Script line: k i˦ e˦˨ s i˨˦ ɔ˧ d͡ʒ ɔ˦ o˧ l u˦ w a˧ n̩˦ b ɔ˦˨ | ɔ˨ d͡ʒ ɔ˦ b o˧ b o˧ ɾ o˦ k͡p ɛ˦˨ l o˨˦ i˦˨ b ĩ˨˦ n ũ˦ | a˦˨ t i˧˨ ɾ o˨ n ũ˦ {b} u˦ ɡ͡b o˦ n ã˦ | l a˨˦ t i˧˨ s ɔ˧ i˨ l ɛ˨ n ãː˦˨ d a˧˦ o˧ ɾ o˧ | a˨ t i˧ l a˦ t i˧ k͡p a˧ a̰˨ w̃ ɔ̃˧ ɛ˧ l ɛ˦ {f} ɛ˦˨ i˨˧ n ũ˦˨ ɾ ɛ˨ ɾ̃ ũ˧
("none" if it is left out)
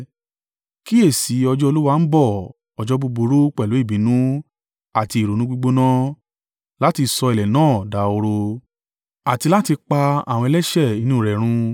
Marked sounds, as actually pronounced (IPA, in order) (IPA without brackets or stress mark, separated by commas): ɡ͡b, ʃ